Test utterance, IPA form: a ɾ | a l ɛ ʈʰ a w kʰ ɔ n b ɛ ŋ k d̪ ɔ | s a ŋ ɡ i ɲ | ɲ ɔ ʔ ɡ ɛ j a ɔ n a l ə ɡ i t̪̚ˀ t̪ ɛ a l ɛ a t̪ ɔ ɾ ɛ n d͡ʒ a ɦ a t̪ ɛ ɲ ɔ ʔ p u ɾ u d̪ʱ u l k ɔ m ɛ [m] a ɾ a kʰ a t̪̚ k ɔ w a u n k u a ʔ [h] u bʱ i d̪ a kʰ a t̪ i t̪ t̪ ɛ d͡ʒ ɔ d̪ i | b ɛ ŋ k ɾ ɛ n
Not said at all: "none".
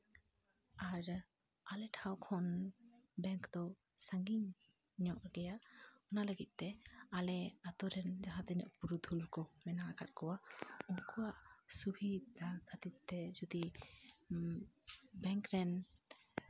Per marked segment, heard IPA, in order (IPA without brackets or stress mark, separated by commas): n, s